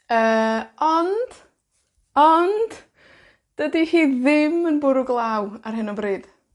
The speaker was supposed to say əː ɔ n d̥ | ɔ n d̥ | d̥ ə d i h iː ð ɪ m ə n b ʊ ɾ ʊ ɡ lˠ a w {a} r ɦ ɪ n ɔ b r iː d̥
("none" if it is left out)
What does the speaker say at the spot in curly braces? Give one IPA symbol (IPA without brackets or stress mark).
a